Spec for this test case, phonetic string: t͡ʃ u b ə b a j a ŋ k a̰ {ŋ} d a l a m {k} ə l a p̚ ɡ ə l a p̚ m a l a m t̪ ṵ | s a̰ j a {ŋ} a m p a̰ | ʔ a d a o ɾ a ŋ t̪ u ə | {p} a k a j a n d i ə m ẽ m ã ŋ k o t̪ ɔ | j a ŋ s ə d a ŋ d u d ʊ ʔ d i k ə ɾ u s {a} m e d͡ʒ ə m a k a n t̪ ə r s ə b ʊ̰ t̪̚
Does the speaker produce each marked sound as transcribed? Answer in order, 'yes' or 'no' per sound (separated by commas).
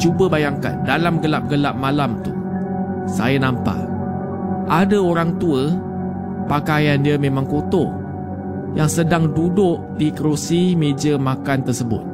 no, no, no, yes, no